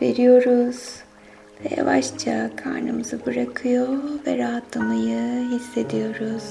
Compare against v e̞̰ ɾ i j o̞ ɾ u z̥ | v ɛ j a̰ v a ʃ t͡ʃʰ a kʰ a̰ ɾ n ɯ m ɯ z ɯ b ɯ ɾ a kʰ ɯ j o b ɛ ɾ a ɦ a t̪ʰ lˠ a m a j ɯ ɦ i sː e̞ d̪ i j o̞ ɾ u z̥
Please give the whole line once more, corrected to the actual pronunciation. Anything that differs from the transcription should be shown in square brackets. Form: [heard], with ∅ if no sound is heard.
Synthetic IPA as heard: v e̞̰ ɾ i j o̞ ɾ u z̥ | v ɛ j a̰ v a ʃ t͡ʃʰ a kʰ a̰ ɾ n ɯ m ɯ z ɯ b ɯ ɾ a kʰ ɯ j o [v] ɛ ɾ a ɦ a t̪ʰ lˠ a m a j ɯ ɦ i sː e̞ d̪ i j o̞ ɾ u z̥